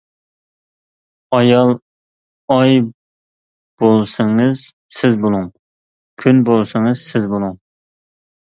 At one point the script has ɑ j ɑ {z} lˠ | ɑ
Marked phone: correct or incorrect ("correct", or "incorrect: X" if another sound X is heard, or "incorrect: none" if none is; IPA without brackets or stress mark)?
incorrect: none